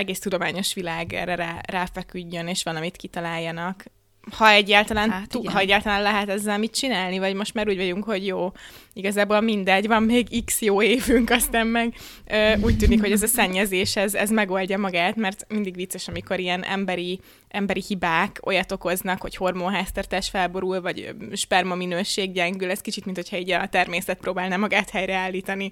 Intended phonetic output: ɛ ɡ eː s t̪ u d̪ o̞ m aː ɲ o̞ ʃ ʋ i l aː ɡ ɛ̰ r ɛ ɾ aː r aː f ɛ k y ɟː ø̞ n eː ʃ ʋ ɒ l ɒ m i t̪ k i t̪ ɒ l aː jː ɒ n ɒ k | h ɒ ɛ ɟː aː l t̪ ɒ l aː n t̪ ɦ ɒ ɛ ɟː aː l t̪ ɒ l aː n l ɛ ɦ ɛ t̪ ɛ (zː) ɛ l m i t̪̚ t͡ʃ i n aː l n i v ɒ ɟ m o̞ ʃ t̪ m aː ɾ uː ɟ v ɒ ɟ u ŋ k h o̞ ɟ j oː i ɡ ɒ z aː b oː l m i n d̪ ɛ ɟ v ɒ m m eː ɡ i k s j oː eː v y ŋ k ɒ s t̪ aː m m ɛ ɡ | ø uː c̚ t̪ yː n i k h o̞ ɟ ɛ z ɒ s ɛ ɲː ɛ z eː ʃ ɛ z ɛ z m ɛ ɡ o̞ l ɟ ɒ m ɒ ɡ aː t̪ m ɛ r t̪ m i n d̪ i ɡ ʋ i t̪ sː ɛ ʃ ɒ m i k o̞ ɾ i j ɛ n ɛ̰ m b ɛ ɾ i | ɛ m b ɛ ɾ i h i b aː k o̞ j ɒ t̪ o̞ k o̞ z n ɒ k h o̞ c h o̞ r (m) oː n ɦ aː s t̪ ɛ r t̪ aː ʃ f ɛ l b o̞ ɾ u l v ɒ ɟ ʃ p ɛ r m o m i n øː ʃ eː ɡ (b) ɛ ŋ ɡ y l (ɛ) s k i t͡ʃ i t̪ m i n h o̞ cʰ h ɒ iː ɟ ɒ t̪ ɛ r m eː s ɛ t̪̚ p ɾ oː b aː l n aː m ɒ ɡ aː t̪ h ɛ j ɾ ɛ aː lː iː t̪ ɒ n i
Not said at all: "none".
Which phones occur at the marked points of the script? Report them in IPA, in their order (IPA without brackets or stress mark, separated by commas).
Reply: zː, m, ɟ, ɛ